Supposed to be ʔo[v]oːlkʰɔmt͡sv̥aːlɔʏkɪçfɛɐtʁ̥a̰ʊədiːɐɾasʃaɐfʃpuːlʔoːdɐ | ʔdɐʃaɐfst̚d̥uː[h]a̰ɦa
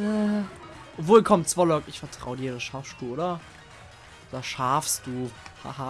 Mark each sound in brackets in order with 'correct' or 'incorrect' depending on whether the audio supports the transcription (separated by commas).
correct, correct